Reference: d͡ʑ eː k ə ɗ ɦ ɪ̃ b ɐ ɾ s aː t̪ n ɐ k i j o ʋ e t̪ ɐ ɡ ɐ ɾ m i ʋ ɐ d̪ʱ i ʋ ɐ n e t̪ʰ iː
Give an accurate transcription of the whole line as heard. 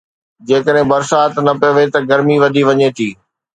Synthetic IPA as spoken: d͡ʑ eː k ə ɗ ɦ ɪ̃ b ɐ ɾ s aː t̪ n ɐ p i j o ʋ e t̪ ɐ ɡ ɐ ɾ m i ʋ ɐ d̪ʱ i ʋ ɐ ɲ e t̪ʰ iː